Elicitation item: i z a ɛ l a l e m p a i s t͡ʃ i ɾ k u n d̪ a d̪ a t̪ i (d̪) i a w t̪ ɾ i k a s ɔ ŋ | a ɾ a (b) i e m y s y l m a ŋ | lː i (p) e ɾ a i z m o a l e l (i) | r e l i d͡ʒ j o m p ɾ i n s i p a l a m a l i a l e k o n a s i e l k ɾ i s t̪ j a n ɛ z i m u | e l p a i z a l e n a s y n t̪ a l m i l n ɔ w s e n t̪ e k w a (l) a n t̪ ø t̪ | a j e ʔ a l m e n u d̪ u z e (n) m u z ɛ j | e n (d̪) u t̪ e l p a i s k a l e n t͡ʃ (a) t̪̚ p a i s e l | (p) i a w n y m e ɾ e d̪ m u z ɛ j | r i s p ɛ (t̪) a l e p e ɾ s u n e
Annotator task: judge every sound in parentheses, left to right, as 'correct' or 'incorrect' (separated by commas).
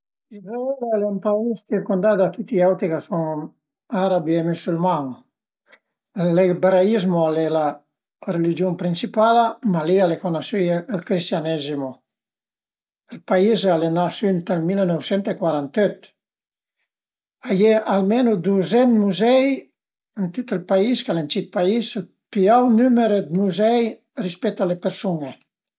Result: incorrect, correct, incorrect, incorrect, incorrect, correct, incorrect, incorrect, correct, correct